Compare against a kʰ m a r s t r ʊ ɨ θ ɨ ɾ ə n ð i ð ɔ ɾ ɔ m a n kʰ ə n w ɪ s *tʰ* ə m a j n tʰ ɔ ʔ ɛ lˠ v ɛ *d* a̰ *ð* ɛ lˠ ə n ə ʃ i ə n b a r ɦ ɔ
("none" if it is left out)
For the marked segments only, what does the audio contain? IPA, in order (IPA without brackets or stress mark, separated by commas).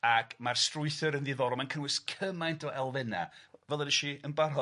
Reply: kʰ, n, v